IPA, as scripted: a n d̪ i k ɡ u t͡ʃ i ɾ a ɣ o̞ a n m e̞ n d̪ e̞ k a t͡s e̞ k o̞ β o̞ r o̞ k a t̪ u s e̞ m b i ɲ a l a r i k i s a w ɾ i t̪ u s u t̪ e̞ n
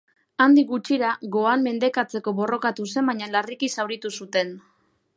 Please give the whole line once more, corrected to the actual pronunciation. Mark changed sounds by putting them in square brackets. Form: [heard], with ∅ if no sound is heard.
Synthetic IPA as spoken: a n d̪ i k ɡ u t͡ʃ i ɾ a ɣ o̞ a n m e̞ n d̪ e̞ k a t͡s e̞ k o̞ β o̞ r o̞ k a t̪ u s e̞ m b [a] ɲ a l a r i k i s a w ɾ i t̪ u s u t̪ e̞ n